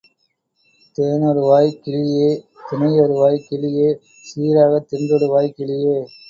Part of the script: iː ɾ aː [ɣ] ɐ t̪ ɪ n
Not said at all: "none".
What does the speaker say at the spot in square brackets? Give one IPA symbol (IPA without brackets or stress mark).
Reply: ɣ